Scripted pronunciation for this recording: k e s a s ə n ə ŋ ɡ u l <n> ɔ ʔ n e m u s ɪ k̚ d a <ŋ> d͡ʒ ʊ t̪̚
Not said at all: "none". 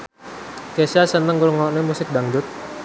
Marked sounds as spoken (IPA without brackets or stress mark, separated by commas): ŋ, ŋ